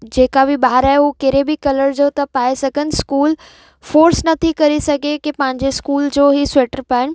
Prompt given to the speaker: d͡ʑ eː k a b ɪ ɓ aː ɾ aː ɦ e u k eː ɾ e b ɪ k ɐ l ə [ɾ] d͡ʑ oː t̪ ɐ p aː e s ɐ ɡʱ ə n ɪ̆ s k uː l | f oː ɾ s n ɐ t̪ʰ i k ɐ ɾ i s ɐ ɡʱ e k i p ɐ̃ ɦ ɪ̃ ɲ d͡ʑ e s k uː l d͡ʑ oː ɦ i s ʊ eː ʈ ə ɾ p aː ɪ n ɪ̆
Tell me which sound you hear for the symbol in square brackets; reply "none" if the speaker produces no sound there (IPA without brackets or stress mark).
ɾ